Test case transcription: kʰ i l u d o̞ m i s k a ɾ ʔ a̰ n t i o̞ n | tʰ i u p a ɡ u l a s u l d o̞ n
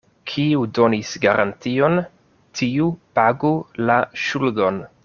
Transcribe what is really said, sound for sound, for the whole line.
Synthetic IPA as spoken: kʰ i u d o̞ n i s ɡ a ɾ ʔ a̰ n t i o̞ n | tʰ i u p a ɡ u l a ʃ u l d o̞ n